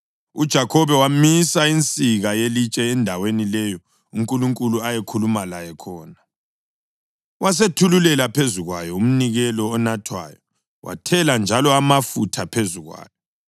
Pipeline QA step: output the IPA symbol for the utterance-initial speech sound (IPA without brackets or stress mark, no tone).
u